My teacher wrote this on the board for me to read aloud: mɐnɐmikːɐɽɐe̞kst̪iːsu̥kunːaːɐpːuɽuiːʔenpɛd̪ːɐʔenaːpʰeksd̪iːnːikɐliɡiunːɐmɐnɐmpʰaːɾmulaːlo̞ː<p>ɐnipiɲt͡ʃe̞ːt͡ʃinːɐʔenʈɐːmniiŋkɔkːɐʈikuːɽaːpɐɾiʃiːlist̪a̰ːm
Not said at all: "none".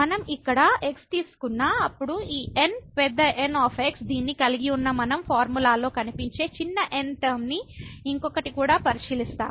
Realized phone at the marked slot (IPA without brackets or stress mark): k